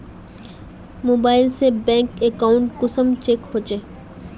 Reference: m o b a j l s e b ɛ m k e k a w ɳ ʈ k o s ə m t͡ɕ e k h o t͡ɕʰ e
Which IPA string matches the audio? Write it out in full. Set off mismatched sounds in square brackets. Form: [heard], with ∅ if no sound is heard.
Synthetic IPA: m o b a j l s e b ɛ [ŋ] k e k a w ɳ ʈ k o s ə m t͡ɕ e k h o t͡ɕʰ e